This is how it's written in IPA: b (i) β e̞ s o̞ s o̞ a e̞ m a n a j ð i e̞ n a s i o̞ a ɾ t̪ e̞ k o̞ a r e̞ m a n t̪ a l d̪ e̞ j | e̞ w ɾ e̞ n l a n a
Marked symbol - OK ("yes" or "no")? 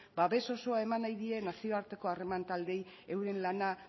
no